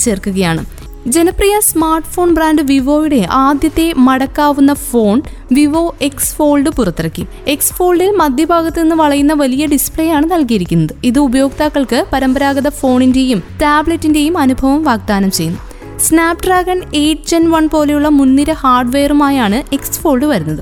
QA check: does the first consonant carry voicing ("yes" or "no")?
no